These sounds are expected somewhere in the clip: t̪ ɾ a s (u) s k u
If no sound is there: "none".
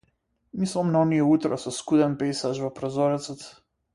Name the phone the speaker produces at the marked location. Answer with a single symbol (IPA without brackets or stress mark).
ɔ